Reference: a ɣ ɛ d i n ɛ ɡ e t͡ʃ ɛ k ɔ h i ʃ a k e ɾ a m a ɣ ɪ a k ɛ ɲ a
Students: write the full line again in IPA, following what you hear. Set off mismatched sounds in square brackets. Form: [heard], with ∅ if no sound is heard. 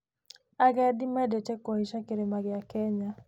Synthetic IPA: a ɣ ɛ d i [m] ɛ [d] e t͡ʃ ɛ k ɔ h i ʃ a k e ɾ [e] m a ɣ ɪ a k ɛ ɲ a